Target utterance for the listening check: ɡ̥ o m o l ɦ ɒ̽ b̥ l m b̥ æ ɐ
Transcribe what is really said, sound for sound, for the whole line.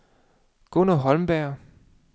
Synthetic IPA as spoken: ɡ̥ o n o ɦ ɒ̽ l m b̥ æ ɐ